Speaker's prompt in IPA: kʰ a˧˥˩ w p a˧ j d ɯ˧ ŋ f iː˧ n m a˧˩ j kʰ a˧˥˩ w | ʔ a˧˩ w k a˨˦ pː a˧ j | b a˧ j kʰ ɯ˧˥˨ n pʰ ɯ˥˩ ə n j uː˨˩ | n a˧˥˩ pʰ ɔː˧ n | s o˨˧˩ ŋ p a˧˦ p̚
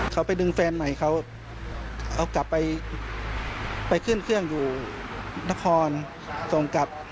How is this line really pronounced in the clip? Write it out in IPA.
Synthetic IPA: kʰ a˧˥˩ w p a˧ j d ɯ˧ ŋ f ɛː˧ n m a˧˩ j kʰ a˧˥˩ w | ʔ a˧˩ w k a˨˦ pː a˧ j | p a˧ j kʰ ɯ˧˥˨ n kʰ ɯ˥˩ ə ŋ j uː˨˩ | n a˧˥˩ kʰ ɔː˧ n | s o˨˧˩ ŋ k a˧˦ p̚